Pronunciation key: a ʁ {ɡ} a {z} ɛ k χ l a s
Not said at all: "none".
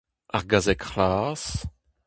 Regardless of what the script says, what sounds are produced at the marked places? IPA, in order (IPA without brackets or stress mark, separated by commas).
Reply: ɡ, z